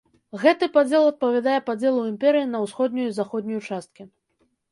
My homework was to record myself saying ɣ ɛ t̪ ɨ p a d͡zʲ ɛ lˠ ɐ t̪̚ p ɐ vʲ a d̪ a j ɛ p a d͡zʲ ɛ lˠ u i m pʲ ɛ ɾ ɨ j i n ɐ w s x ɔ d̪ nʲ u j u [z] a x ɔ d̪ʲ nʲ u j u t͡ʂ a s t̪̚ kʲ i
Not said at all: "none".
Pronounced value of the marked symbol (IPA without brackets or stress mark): z